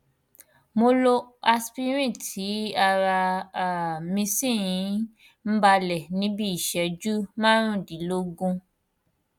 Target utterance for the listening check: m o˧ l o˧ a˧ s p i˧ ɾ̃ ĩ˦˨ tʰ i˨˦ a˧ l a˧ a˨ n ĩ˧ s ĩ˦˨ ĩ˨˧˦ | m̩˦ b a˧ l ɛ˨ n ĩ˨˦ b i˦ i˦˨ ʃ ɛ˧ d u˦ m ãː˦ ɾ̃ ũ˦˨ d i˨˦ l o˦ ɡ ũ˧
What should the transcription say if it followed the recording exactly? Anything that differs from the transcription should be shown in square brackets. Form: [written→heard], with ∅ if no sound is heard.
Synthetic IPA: m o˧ l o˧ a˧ s p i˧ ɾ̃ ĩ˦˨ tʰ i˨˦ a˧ [l→ɾ] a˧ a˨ [n→m] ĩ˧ s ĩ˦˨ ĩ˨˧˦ | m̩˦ b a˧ l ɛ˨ n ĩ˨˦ b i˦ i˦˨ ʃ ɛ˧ [d→d͡ʒ] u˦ m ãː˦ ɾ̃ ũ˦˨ d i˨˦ l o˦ ɡ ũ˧